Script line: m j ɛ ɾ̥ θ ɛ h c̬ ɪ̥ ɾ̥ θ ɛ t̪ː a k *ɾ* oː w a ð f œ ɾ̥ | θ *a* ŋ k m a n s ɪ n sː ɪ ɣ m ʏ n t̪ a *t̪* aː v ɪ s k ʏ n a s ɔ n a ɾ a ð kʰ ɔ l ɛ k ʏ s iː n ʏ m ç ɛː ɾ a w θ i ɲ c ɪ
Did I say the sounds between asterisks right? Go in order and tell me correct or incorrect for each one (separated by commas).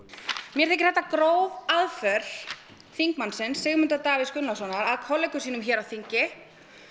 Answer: correct, incorrect, correct